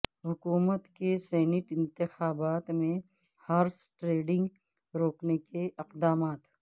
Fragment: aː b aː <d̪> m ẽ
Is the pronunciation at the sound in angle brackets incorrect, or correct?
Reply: incorrect